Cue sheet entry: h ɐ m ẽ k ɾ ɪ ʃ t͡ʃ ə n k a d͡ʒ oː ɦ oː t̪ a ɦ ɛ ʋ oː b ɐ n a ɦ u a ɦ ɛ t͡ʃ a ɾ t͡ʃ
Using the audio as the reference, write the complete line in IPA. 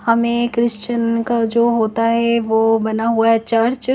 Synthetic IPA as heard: h ɐ m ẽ k ɾ ɪ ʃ t͡ʃ ə n k a d͡ʒ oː ɦ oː t̪ a ɦ ɛ ʋ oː b ɐ n a ɦ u a ɦ ɛ t͡ʃ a ɾ t͡ʃ